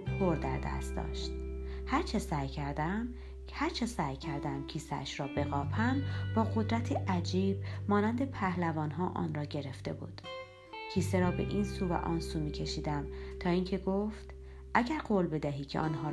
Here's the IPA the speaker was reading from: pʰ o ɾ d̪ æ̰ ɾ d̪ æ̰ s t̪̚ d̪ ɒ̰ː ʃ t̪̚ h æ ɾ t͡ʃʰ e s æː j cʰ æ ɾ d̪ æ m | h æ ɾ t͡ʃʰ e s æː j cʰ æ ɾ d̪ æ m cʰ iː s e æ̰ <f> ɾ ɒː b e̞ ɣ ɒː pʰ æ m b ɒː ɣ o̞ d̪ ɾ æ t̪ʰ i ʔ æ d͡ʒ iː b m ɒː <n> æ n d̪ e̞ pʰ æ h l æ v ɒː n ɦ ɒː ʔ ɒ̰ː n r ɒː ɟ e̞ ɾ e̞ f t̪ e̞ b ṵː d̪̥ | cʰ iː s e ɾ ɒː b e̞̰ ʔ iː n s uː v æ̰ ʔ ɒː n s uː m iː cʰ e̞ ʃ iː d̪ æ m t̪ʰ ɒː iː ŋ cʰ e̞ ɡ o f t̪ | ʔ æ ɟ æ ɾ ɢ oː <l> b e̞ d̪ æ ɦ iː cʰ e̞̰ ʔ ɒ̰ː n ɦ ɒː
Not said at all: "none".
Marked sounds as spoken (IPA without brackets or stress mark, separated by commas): ʃ, n, l